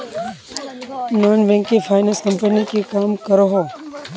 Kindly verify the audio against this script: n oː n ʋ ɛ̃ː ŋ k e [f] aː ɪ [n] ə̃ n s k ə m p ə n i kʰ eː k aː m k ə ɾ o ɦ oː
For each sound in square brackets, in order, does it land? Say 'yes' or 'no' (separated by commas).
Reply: yes, yes